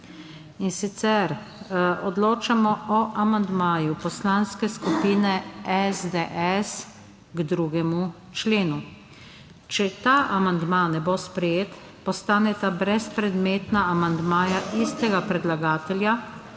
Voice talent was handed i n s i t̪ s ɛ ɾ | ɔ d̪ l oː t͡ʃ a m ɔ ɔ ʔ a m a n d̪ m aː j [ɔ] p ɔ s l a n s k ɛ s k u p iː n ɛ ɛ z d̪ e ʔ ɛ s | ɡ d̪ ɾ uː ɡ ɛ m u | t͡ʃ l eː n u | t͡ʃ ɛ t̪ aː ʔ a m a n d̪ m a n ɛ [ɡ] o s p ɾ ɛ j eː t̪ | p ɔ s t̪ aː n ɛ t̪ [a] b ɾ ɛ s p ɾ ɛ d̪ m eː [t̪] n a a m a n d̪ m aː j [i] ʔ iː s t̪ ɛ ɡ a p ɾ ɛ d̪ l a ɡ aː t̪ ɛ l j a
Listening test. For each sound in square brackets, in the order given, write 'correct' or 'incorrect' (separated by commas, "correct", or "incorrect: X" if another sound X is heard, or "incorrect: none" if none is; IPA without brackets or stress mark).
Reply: incorrect: u, incorrect: b, correct, correct, incorrect: a